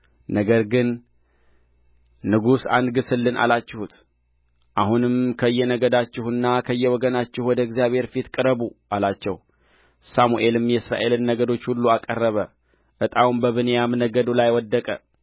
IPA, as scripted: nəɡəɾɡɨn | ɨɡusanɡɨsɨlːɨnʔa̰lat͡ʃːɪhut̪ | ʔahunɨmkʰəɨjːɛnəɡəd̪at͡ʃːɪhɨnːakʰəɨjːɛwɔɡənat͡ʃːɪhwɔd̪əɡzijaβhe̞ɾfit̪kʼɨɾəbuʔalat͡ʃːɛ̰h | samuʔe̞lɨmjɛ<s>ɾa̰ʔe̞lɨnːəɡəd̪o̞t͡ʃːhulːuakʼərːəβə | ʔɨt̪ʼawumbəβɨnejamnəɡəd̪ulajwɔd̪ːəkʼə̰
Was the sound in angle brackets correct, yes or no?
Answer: yes